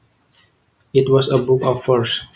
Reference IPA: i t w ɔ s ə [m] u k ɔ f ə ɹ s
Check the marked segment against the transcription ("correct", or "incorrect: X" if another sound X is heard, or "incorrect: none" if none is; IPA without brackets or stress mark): incorrect: b